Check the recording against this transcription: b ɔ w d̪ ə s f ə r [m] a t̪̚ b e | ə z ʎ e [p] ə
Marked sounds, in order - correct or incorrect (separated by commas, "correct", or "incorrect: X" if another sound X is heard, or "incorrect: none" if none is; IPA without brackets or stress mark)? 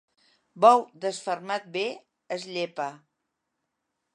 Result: correct, correct